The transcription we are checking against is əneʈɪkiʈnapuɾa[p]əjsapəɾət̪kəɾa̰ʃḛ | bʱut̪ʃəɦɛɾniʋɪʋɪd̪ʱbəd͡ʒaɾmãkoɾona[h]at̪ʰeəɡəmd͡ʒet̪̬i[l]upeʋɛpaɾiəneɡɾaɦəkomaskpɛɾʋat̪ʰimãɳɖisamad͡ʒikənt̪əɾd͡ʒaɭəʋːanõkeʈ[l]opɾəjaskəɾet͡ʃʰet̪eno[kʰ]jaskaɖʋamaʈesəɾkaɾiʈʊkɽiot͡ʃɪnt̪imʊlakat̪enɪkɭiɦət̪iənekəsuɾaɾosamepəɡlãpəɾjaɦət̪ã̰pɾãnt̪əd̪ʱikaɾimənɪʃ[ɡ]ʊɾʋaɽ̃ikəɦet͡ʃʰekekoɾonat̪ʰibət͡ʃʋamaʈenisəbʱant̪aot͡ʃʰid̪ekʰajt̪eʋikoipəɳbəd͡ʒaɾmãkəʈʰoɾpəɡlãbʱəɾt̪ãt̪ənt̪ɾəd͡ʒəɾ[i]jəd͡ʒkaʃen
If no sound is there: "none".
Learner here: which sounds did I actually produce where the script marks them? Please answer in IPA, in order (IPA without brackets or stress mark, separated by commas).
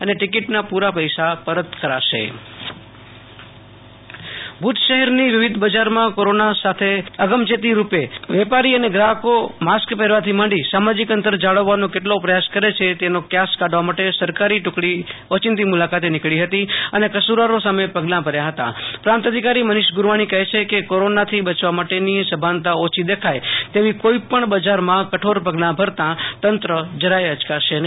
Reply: p, s, ɾ, l, k, ɡ, a